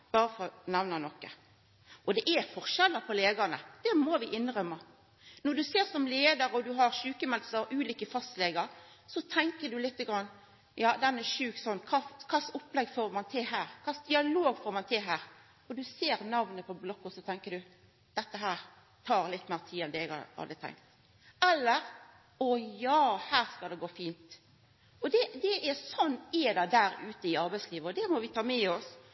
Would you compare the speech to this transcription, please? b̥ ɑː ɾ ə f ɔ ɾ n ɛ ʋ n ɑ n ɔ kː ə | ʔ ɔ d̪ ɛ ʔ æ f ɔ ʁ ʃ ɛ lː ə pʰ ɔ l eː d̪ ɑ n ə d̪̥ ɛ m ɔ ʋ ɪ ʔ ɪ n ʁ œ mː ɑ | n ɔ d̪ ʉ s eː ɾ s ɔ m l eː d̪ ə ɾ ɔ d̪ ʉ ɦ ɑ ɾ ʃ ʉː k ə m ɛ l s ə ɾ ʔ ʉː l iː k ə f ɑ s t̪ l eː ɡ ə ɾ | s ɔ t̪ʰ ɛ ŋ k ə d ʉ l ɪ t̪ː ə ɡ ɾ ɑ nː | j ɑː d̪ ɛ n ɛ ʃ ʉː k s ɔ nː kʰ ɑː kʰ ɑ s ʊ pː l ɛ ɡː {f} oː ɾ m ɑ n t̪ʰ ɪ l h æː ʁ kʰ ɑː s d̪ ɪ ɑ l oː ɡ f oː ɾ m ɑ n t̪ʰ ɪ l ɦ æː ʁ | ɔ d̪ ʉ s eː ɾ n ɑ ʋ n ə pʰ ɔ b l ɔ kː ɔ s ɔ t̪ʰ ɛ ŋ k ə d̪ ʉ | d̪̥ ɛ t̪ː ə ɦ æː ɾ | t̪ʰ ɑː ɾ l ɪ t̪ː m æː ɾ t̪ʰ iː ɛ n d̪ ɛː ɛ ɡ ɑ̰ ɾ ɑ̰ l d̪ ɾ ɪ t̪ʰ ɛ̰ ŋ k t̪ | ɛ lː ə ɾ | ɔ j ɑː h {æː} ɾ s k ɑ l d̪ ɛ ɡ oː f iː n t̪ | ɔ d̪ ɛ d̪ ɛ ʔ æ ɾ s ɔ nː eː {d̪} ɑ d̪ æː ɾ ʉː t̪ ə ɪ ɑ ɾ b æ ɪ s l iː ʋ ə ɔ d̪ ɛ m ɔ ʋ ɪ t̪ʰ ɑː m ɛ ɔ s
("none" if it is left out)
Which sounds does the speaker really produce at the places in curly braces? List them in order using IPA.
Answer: f, æː, d̪

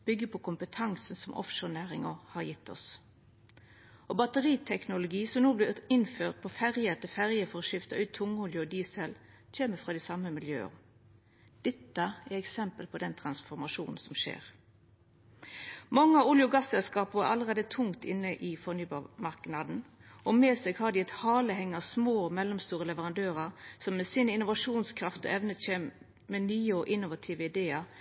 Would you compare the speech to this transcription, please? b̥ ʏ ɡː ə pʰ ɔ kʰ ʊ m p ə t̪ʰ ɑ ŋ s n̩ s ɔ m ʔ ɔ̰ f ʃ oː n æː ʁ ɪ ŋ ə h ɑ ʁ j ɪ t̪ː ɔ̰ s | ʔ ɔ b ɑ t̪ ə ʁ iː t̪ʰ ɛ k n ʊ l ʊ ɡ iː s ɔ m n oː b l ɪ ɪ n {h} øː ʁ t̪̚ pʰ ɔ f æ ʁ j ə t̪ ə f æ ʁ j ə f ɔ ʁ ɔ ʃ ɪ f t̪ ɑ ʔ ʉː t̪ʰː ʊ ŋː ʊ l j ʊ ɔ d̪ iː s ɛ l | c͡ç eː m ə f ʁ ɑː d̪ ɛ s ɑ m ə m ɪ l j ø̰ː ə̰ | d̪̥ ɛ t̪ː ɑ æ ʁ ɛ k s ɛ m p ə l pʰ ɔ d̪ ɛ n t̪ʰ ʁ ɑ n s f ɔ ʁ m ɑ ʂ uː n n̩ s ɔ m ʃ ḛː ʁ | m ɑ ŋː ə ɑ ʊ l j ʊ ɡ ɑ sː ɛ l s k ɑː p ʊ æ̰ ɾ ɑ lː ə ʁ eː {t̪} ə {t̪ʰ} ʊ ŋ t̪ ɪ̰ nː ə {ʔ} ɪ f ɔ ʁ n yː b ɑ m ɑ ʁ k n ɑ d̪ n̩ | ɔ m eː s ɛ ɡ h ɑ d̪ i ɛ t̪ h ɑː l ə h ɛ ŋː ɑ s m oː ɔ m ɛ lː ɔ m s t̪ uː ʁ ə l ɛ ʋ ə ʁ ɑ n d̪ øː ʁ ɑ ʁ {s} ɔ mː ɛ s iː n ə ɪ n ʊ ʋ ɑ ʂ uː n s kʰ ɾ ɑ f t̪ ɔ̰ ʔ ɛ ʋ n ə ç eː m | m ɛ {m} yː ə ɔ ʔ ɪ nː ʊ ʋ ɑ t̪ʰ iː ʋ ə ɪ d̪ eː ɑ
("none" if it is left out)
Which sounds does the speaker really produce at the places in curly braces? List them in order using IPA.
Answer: f, d̪, t̪ʰ, ʔ, s, n

